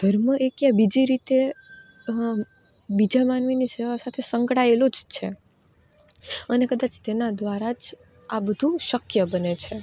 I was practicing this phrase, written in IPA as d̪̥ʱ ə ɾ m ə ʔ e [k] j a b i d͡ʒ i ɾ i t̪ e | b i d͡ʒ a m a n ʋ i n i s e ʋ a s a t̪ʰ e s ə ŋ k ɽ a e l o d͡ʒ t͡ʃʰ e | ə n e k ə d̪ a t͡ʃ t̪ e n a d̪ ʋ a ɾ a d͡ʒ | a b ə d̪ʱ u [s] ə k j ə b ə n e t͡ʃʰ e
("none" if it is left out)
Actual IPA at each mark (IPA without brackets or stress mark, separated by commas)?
k, ʃ